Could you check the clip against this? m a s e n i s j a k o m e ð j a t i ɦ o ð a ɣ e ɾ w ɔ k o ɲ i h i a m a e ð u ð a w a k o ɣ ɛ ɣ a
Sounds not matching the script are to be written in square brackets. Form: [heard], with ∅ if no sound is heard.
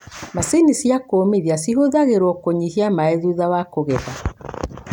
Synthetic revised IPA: m a s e n i s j a k o m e ð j a [s] i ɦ o ð a ɣ e ɾ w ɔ k o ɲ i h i a m a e ð u ð a w a k o ɣ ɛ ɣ a